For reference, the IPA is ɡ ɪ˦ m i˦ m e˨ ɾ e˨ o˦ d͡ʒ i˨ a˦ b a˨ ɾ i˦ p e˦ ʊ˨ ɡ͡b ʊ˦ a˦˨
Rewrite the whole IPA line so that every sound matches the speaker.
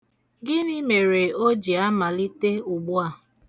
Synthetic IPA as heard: ɡ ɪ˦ n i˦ m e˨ ɾ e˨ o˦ d͡ʒ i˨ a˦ m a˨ l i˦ t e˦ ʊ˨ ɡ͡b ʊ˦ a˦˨